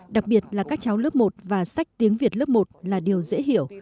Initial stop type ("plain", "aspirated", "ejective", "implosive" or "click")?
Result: implosive